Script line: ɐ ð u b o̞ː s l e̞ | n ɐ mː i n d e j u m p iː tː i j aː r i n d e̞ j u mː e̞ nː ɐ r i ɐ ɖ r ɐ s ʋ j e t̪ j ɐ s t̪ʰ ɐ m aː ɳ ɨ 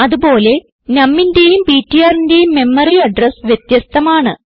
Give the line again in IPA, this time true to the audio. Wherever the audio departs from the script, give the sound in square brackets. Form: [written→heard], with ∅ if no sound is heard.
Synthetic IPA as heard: ɐ ð u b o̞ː [s→∅] l e̞ | n ɐ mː i n d e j u m p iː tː i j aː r i n d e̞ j u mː e̞ [nː→mː] ɐ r i ɐ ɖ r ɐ s ʋ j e t̪ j ɐ s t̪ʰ ɐ m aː ɳ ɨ